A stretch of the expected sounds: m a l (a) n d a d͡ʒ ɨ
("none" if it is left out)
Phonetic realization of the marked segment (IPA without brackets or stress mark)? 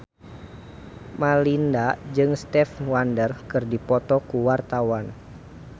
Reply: i